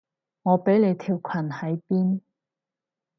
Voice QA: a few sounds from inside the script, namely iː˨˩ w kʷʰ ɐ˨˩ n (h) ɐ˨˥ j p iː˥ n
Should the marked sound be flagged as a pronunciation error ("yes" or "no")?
no